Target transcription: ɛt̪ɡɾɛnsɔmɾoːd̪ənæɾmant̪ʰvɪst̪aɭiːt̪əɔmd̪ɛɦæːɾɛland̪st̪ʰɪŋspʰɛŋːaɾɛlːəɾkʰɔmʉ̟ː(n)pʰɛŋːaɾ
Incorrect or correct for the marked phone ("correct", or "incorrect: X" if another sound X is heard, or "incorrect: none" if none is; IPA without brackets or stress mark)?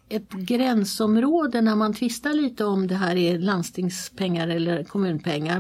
correct